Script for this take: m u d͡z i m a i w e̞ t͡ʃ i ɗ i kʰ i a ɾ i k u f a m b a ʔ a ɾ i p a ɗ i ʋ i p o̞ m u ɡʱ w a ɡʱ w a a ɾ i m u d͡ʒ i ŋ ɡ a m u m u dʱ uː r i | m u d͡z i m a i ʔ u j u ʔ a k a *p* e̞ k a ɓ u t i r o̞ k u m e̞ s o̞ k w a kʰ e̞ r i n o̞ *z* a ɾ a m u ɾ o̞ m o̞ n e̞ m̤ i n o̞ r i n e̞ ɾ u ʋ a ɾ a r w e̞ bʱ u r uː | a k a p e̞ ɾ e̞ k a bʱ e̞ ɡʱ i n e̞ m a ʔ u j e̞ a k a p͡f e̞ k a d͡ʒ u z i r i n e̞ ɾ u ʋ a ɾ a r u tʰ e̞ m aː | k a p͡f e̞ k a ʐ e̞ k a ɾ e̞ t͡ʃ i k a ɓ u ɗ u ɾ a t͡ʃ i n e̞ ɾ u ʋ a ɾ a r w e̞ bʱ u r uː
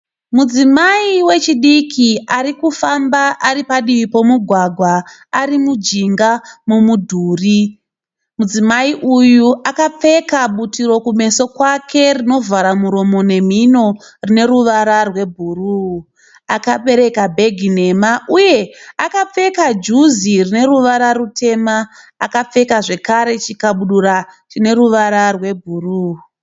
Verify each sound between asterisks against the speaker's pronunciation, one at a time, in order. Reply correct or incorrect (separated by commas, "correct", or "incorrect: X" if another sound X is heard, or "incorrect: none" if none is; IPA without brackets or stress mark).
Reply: incorrect: p͡f, incorrect: v